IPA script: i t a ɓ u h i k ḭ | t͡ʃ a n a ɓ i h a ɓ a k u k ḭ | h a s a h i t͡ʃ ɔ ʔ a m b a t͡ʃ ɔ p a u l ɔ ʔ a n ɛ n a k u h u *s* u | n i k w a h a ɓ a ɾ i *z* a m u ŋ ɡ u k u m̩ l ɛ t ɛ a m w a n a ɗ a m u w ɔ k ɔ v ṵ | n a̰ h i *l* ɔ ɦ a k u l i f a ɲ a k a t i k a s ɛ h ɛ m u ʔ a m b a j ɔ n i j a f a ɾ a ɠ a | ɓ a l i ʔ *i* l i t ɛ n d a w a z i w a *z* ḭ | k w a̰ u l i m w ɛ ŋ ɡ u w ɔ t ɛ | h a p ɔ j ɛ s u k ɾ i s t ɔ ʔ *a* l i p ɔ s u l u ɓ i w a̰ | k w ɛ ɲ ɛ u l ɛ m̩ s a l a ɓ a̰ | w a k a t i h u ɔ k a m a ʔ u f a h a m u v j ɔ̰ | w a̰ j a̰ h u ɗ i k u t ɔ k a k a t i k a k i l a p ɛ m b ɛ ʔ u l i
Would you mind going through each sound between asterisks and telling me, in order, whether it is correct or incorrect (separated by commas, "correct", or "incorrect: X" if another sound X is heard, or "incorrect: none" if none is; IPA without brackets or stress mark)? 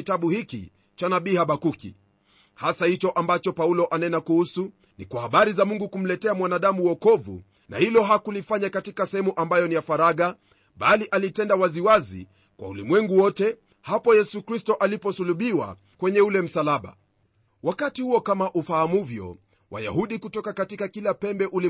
correct, correct, correct, incorrect: a, correct, correct